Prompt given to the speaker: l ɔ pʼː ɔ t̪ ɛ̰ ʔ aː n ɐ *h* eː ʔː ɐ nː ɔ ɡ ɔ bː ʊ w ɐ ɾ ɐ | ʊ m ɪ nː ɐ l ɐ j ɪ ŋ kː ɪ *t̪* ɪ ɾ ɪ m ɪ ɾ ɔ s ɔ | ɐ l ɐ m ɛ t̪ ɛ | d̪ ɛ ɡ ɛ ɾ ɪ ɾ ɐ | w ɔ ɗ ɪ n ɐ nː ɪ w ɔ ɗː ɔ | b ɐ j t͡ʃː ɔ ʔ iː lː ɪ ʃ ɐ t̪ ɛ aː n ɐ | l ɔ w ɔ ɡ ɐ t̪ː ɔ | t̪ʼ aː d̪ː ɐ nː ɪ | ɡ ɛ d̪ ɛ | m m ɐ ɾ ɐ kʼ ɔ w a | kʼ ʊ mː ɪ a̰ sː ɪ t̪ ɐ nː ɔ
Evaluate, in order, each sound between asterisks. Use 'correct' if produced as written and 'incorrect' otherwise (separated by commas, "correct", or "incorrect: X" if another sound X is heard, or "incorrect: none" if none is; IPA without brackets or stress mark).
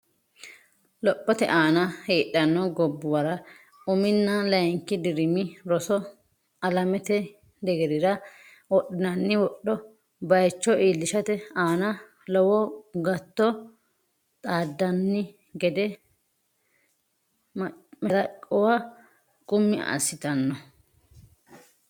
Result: correct, incorrect: d̪